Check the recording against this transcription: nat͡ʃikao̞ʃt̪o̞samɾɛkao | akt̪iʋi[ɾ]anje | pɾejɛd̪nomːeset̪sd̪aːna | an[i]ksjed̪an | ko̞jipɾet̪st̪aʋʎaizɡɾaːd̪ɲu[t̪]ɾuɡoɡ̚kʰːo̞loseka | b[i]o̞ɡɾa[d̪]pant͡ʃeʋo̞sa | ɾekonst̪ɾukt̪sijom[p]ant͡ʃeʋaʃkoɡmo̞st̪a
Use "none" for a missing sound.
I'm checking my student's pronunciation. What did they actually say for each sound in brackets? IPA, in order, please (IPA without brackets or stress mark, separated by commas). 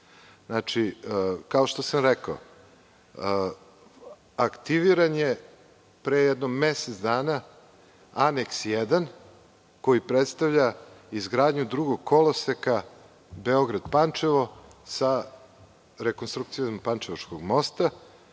ɾ, e, d̪, e, d̪, p